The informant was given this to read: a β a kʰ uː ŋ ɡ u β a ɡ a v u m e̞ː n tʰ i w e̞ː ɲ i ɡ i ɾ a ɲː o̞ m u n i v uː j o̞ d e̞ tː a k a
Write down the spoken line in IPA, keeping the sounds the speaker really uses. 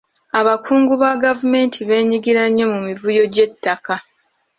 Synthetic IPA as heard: a β a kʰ uː ŋ ɡ u β a ɡ a v u m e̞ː n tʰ i β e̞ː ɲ i ɡ i ɾ a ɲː o̞ m u m i v u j o̞ ɟ e̞ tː a k a